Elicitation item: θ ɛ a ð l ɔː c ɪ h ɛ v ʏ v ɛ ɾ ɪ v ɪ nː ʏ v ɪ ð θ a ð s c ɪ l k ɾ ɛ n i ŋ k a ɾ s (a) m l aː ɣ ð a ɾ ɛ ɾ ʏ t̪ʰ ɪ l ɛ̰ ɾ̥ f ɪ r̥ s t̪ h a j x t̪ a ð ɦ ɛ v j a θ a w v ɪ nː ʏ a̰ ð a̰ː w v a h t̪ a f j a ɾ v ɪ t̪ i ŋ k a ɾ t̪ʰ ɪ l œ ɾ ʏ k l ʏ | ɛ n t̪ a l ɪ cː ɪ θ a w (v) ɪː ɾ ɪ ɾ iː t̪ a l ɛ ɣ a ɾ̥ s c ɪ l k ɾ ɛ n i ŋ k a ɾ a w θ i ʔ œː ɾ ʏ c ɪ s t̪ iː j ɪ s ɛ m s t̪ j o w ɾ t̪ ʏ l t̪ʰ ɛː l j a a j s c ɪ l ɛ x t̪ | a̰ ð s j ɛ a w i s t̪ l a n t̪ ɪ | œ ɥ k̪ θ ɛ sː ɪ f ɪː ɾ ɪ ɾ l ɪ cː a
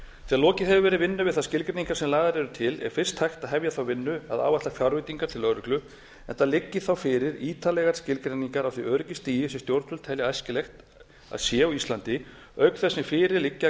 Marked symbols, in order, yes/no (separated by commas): no, no